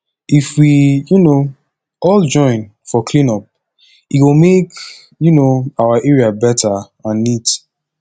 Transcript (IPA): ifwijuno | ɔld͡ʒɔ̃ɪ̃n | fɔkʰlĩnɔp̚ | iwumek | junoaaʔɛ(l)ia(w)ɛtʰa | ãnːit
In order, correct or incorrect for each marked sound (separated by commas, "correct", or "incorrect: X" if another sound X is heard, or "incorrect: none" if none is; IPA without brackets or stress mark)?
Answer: incorrect: ɹ, incorrect: b